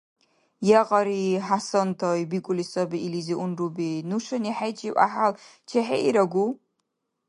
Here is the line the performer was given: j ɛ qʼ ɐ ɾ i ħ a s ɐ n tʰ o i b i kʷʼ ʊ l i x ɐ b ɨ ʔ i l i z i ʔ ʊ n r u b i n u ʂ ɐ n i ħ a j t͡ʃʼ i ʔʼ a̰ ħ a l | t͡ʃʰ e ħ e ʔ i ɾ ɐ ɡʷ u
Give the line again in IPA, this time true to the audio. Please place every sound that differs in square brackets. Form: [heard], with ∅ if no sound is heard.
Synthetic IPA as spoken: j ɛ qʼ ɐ ɾ i ħ a s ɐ n tʰ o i b i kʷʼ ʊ l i [s] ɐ b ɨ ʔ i l i z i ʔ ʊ n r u b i n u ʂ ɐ n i ħ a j t͡ʃʼ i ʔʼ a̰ ħ a l | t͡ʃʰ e ħ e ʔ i ɾ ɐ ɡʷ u